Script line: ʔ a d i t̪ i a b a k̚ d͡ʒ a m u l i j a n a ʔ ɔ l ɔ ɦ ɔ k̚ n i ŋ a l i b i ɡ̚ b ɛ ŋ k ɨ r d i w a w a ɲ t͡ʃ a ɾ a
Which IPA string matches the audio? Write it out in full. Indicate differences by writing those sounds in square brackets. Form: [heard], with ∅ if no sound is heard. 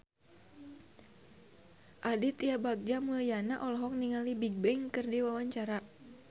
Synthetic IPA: ʔ a d i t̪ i a b a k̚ d͡ʒ a m u l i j a n a ʔ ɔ l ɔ ɦ ɔ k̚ n i ŋ a l i b i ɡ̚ b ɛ ŋ k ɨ r d i w a w a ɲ t͡ʃ a ɾ a